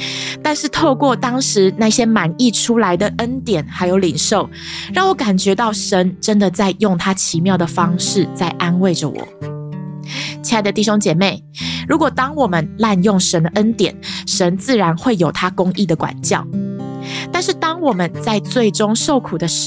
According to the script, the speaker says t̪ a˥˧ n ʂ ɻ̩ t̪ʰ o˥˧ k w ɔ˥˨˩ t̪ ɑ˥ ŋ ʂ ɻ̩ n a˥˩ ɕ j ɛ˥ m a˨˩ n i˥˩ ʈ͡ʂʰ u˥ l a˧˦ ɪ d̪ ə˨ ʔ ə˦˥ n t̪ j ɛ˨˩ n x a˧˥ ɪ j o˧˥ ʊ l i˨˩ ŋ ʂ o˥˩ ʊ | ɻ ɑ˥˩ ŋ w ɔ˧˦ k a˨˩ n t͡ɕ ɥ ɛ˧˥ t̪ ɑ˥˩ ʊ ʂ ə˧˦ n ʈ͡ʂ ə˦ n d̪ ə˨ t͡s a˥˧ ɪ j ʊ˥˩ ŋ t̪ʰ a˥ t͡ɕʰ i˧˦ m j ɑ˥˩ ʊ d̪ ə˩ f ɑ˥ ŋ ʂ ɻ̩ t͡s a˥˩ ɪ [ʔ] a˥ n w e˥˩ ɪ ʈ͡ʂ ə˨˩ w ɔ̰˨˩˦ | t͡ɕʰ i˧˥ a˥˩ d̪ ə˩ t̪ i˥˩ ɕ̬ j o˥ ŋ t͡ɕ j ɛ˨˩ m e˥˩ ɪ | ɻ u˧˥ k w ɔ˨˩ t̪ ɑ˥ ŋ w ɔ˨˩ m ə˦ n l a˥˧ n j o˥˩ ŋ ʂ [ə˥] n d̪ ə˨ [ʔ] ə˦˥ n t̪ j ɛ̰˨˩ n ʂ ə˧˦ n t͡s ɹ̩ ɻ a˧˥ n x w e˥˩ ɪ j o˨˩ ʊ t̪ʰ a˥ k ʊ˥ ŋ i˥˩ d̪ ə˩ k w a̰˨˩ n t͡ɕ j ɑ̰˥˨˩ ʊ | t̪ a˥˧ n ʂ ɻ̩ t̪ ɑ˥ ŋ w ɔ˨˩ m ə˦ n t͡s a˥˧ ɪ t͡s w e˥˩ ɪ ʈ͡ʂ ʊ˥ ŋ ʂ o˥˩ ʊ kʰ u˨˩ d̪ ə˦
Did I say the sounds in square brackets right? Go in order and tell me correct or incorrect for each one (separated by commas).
correct, incorrect, correct